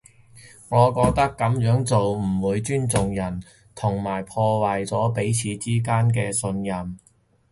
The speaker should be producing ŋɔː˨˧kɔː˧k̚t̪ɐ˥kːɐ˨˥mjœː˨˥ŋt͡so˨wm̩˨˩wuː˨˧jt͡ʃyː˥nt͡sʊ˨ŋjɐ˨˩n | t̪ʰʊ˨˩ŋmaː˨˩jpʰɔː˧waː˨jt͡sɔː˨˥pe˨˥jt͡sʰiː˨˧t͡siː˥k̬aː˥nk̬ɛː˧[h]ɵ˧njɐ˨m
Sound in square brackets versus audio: incorrect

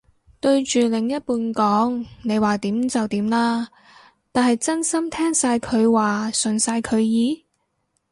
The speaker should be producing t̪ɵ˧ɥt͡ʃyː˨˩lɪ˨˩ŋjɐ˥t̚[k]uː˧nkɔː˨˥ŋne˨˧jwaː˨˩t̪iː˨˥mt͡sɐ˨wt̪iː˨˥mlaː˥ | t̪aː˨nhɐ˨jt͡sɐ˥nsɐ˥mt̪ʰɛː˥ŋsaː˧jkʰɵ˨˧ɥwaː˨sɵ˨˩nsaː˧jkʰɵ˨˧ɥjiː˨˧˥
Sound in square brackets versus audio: incorrect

